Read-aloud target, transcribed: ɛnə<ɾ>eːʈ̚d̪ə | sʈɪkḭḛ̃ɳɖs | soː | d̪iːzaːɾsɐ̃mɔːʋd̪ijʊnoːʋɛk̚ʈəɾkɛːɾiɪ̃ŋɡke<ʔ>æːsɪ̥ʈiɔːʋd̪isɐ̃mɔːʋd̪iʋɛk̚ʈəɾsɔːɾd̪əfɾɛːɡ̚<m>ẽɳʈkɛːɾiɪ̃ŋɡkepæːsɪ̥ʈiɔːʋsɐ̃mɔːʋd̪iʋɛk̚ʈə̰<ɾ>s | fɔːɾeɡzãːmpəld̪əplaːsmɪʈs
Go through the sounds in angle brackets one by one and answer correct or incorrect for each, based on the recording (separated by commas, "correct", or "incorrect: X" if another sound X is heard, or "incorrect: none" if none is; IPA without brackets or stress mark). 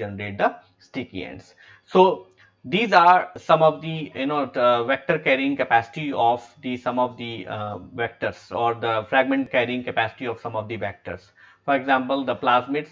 correct, incorrect: p, correct, correct